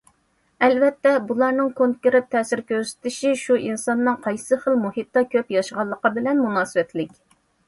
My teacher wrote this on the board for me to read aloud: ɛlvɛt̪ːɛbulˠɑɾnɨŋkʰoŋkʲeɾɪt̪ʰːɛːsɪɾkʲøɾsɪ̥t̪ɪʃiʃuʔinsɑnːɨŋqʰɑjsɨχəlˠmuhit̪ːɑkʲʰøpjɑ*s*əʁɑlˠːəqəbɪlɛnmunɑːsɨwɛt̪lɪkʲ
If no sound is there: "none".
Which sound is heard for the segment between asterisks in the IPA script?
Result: ʃ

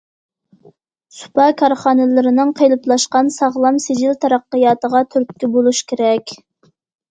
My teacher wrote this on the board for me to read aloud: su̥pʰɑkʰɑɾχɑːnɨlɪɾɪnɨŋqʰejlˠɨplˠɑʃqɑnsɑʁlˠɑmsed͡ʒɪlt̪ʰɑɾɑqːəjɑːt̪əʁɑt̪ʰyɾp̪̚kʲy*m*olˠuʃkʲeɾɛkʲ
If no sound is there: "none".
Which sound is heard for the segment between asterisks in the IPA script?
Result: b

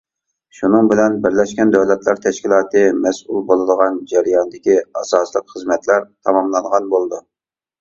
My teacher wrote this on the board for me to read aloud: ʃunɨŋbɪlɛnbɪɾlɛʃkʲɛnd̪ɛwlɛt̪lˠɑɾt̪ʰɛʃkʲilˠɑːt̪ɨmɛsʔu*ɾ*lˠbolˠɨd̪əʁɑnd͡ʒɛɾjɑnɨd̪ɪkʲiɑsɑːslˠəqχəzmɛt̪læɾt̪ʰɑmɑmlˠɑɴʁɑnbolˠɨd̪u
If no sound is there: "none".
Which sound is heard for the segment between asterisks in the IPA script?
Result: none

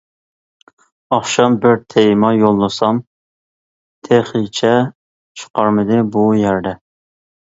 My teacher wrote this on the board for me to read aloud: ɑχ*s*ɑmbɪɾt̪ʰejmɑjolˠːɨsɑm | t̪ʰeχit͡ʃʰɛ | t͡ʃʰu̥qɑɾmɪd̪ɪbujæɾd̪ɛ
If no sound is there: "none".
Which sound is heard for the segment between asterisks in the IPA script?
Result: ʃ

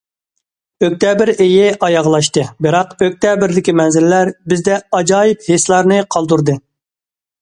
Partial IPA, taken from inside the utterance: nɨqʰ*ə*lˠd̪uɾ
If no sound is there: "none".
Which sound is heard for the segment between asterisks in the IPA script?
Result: ɑ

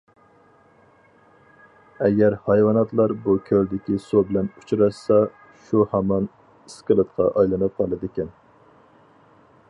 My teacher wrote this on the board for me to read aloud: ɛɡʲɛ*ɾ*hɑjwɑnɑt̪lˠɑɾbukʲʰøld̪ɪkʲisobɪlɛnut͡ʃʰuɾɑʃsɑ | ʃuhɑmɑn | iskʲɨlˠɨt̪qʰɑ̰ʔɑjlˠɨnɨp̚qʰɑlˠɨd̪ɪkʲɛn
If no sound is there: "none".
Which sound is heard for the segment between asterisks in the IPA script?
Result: ɾ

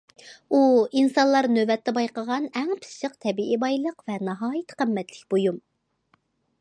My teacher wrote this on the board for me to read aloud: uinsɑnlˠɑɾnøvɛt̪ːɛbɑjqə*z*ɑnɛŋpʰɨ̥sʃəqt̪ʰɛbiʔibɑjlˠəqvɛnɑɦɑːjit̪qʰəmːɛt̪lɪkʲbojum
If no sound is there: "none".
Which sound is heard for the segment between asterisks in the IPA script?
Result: ʁ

